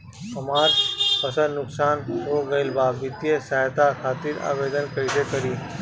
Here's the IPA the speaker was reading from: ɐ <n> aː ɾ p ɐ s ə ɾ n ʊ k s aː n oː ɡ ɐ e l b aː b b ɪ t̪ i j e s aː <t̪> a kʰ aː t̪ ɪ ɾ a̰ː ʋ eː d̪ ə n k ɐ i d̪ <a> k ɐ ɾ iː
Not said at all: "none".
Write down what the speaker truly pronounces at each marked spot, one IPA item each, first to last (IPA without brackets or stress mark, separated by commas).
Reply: m, t̪, e